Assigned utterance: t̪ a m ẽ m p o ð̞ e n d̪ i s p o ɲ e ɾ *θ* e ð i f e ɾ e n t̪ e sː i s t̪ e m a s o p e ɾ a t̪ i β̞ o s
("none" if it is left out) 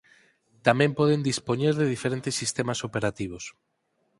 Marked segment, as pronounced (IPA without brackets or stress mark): ð